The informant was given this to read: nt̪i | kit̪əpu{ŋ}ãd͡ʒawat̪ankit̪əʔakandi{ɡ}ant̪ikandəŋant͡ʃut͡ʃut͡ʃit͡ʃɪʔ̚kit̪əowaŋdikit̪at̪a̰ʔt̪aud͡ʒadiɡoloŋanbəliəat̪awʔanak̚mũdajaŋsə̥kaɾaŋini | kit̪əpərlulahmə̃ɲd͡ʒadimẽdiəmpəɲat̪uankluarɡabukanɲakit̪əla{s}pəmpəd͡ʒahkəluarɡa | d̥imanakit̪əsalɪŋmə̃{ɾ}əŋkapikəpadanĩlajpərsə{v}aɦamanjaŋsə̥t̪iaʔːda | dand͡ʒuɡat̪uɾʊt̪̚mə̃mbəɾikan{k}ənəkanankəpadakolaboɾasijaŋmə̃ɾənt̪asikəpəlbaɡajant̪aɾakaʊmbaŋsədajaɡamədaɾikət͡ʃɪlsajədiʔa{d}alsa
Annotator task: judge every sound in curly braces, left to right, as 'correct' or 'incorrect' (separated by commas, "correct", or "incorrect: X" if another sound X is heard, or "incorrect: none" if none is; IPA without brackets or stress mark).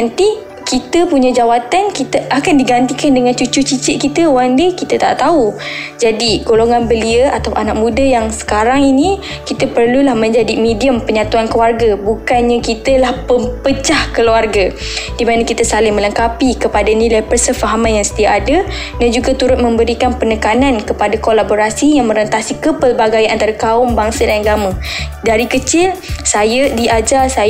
incorrect: ɲ, correct, incorrect: h, incorrect: l, incorrect: f, incorrect: p, incorrect: d͡ʒ